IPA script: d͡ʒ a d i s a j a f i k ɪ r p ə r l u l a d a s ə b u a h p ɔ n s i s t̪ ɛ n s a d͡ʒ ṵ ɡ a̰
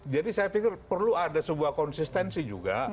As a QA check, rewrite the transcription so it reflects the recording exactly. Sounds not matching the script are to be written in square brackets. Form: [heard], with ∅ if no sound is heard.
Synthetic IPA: d͡ʒ a d i s a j a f i k ɪ r p ə r l u [∅] a d a s ə b u a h [k] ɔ n s i s t̪ ɛ n s [i] d͡ʒ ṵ ɡ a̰